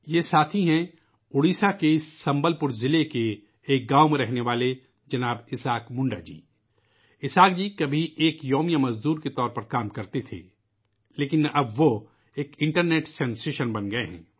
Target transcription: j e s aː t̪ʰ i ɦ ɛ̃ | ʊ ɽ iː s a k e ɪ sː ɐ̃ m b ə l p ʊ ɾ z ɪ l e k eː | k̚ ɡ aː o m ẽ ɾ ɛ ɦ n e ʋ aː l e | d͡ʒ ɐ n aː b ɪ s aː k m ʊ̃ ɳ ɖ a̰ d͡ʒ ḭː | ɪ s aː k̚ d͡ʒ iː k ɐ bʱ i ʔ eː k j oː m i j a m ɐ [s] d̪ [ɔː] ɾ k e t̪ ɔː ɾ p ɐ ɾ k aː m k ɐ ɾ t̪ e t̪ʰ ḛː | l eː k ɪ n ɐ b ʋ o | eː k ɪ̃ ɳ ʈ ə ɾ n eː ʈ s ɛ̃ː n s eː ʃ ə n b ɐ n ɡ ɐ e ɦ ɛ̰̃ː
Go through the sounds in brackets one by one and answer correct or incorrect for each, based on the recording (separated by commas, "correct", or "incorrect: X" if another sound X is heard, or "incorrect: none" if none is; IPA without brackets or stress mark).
incorrect: z, incorrect: uː